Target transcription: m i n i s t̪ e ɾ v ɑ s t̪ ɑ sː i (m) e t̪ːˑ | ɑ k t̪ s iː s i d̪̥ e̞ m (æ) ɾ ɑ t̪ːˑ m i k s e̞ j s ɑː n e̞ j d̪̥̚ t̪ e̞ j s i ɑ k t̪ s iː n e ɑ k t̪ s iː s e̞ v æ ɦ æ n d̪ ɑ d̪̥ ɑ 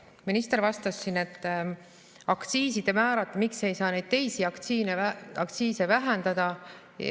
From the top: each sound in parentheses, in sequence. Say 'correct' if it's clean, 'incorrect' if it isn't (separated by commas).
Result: incorrect, incorrect